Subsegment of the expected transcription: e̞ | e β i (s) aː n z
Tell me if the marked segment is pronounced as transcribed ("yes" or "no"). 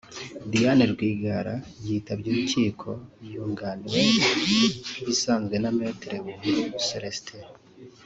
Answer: yes